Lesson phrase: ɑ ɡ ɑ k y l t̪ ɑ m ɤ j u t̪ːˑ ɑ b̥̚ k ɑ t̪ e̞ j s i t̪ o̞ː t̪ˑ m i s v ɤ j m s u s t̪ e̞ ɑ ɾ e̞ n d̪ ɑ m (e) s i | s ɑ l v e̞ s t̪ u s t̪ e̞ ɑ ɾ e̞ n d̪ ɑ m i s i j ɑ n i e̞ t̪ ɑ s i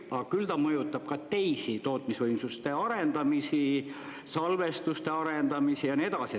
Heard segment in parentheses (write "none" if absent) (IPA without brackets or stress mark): i